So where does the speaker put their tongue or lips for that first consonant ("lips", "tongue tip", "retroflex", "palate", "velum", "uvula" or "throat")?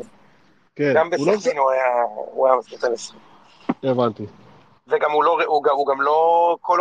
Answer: velum